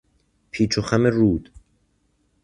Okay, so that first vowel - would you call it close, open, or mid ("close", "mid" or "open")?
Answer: close